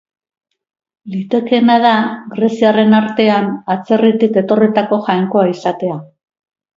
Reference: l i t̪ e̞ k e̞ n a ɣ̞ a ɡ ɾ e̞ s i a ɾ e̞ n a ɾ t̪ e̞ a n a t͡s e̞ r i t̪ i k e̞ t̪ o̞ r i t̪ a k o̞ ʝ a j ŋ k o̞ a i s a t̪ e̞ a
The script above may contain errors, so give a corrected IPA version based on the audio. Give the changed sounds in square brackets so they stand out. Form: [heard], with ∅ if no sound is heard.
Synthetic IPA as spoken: l i t̪ e̞ k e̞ n a [ð̞] a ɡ ɾ e̞ s i a [r] e̞ n a ɾ t̪ e̞ a n a t͡s e̞ r i t̪ i k e̞ t̪ o̞ r i t̪ a k o̞ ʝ a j ŋ k o̞ a i s a t̪ e̞ a